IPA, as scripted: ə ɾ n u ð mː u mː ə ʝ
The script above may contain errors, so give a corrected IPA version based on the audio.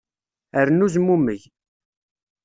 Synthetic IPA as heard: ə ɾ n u z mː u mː ə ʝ

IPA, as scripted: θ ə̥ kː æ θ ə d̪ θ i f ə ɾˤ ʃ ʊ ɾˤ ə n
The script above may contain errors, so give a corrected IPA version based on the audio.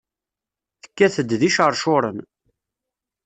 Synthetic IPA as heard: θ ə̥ kː æ θ ə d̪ ð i ʃ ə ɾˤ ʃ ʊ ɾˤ ə n

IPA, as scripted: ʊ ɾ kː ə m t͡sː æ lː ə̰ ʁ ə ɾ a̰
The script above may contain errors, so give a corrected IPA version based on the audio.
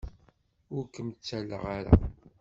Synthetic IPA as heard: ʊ ɾ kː ə m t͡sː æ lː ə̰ ʁ a ɾ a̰

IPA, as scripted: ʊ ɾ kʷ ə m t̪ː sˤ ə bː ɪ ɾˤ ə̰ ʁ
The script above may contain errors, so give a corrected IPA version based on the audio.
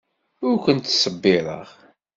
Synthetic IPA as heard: ʊ ɾ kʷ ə n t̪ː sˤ ə bː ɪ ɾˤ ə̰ ʁ

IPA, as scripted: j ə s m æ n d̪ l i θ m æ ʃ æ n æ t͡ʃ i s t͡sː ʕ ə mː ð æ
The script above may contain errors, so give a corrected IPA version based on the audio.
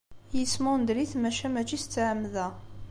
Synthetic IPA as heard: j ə s m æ n d̪ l i θ m æ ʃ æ m æ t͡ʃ i s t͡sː ʕ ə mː ð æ

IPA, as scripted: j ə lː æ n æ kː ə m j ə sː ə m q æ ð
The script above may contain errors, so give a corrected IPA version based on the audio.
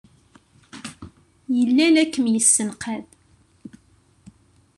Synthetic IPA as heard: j ə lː æ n æ kː ə m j ə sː ə n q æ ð

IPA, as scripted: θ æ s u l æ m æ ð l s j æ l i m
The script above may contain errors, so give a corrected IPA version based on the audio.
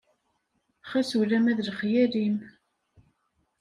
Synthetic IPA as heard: χ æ s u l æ m æ ð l χ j æ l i m

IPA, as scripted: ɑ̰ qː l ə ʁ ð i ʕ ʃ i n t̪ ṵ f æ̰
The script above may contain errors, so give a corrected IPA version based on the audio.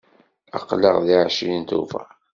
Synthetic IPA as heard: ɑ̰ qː l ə ʁ ð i ʕ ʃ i n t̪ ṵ f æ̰

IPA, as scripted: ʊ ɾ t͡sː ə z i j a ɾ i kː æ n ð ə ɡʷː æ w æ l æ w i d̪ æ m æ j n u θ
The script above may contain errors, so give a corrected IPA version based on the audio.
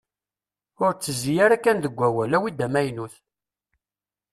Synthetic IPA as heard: ʊ ɾ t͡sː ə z i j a ɾ æ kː æ n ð ə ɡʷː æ w æ l æ w i d̪ æ m æ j n u θ

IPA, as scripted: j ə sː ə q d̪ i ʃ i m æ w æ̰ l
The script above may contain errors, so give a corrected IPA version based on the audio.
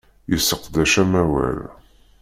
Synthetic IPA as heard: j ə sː ə q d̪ æ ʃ æ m æ w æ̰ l

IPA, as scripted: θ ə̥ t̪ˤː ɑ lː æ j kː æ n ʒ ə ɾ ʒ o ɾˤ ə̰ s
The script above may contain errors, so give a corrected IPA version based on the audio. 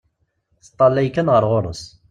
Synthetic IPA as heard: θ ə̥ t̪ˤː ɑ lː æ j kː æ n ʁ ə ɾ ʁ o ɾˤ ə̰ s

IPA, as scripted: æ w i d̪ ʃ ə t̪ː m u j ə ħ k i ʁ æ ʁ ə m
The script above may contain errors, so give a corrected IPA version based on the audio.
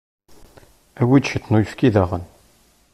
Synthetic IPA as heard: æ w i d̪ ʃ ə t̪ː n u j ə f k i ð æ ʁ ə n

